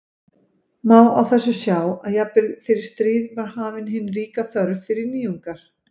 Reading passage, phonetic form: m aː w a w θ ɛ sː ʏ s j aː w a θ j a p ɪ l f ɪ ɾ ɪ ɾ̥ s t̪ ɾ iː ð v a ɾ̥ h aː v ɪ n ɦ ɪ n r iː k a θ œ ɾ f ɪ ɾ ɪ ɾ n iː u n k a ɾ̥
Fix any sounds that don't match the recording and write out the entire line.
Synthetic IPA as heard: m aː w a w θ ɛ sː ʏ s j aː w a ð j a p ɪ l f ɪ ɾ ɪ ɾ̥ s t̪ ɾ iː ð v a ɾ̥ h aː v ɪ n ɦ ɪ n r iː k a θ œ ɾ f ɪ ɾ ɪ ɾ n iː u ŋ k a ɾ̥